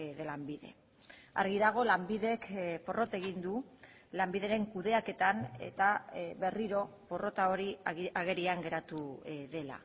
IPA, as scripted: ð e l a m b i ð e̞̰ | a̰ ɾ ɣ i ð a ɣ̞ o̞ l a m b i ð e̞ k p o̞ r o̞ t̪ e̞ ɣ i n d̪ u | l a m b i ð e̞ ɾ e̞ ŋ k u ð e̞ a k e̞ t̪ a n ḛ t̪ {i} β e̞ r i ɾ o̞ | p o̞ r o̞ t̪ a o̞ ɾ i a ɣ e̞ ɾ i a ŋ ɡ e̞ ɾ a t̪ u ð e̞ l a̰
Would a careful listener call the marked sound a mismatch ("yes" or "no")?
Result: yes